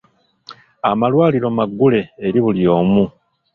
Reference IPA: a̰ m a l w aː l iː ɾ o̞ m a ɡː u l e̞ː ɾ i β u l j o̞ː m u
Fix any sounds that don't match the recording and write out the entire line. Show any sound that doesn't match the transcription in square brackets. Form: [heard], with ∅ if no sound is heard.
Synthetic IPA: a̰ m a l w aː l [i] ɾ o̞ m a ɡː u l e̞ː ɾ i β u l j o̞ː m u